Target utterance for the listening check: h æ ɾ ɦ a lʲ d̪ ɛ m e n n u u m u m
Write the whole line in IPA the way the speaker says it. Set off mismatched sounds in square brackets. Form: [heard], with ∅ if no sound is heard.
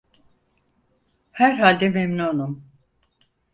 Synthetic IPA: h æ ɾ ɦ a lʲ d̪ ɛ m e [m] n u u [n] u m